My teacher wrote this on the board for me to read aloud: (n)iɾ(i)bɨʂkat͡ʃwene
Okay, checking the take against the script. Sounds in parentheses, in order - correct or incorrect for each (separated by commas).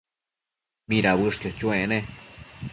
incorrect, incorrect